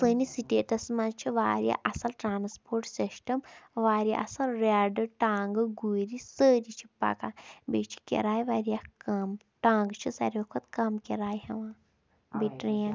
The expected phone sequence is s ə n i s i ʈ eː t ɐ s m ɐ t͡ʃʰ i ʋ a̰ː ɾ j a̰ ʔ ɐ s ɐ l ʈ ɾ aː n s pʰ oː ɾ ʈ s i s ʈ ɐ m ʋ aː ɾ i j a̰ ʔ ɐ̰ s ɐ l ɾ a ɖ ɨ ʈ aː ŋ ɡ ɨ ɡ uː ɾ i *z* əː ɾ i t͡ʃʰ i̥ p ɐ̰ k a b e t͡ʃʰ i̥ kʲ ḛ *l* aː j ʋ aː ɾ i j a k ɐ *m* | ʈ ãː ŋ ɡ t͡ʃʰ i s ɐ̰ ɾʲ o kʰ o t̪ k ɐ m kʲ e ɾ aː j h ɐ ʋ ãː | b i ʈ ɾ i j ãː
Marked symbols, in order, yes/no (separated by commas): no, no, yes